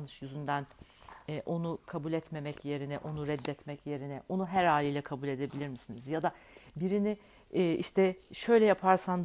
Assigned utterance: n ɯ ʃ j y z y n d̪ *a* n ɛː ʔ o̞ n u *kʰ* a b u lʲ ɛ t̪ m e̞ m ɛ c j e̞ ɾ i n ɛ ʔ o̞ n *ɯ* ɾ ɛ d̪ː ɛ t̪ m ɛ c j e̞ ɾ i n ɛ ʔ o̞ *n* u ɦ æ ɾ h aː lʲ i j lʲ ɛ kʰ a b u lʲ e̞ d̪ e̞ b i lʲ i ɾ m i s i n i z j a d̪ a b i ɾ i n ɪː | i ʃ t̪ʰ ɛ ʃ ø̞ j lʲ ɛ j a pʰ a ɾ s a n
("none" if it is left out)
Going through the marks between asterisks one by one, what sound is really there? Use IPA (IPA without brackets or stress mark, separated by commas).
æ, kʰ, u, n